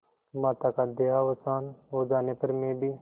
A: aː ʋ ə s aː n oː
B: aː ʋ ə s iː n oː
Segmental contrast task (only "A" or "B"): A